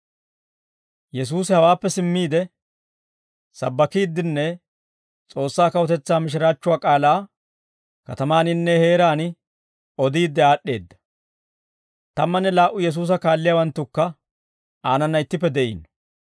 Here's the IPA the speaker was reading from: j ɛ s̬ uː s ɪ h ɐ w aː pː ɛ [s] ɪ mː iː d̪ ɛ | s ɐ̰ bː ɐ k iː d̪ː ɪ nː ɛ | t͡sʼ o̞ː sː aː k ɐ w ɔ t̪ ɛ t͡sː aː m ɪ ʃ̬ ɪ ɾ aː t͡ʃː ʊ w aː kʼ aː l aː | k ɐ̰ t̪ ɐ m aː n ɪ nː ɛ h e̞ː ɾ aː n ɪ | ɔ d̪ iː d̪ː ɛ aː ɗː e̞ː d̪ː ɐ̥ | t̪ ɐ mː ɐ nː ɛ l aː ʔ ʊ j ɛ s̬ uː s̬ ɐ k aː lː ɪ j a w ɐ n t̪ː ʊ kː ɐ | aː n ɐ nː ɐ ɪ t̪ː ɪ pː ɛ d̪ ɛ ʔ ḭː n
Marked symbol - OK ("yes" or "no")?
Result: yes